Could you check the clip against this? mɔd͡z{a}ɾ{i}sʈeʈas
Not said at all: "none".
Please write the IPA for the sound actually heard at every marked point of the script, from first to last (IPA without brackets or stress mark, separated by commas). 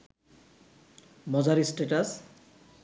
a, i